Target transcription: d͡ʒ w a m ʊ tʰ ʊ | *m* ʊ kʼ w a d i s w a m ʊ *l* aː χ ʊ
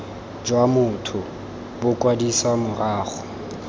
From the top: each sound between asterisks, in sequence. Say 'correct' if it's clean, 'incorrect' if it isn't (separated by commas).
incorrect, incorrect